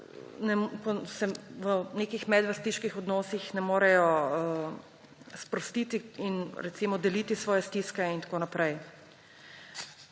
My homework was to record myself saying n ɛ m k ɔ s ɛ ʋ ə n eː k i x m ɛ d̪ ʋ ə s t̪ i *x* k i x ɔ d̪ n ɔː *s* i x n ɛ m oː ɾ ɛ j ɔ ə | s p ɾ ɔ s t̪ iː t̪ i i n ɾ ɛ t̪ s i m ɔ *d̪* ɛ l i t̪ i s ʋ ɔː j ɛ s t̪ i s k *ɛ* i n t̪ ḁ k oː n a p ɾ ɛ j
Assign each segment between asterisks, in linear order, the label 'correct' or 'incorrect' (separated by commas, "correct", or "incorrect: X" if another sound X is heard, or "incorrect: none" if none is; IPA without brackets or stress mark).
incorrect: ʃ, correct, correct, correct